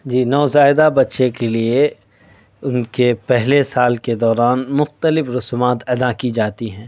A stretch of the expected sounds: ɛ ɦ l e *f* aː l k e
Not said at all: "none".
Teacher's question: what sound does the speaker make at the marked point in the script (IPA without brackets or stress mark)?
s